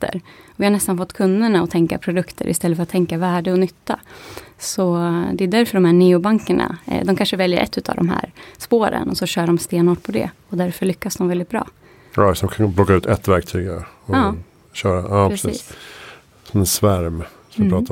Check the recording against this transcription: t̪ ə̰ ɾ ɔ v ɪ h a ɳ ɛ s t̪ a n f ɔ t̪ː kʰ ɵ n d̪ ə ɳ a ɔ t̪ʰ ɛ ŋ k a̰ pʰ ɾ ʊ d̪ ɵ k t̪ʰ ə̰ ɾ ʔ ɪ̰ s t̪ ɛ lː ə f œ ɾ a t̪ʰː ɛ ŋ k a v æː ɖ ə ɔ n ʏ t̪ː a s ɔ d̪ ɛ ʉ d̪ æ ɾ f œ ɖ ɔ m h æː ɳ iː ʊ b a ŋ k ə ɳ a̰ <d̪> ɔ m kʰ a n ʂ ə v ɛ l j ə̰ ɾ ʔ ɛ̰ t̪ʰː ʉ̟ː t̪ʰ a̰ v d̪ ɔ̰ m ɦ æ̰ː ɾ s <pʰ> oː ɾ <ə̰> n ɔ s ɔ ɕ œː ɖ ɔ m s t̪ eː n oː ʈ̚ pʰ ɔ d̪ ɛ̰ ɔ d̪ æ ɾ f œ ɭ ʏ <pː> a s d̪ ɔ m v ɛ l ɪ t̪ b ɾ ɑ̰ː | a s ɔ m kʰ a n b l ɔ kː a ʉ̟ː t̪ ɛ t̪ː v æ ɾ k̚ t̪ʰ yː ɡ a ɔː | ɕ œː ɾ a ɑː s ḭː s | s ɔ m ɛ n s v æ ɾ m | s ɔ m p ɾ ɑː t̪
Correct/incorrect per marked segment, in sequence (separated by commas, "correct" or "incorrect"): correct, incorrect, correct, incorrect